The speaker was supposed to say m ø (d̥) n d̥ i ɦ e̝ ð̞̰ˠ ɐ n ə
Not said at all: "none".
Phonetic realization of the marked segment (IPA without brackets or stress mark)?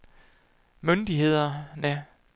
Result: none